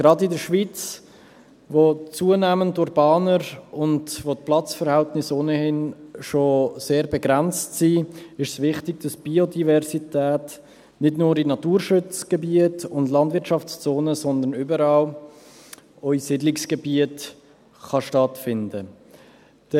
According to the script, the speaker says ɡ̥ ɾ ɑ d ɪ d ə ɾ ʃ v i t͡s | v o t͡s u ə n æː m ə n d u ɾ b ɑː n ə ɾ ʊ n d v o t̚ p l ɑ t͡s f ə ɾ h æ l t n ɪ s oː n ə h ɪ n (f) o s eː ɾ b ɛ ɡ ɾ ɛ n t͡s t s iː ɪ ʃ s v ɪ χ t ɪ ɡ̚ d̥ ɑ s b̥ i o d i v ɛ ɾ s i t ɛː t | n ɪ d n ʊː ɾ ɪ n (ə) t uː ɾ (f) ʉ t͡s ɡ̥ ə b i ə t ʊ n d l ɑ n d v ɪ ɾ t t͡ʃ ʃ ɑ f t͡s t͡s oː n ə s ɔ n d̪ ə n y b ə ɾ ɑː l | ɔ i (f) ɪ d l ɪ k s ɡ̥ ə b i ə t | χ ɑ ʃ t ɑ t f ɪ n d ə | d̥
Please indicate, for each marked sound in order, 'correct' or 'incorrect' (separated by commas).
incorrect, incorrect, incorrect, incorrect